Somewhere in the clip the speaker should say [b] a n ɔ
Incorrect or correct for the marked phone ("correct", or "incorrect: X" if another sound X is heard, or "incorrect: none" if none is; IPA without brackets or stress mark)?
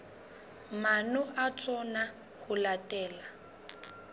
incorrect: m